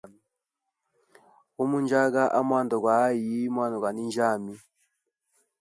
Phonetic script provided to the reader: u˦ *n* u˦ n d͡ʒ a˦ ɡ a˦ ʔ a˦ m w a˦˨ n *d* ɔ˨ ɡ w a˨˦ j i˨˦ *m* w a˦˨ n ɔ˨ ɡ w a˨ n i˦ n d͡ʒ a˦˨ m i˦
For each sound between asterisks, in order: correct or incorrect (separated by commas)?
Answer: incorrect, correct, correct